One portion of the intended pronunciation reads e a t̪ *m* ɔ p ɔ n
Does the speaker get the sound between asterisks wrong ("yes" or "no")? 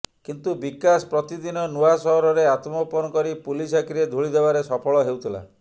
no